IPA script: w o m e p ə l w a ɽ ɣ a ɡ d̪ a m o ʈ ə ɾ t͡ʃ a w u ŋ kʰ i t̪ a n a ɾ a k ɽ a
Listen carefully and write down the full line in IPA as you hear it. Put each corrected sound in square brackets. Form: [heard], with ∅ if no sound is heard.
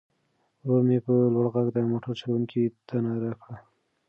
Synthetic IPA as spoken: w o m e p ə l w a ɽ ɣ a ɡ d̪ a m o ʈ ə ɾ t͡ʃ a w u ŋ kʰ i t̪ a n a ɾ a k ɽ a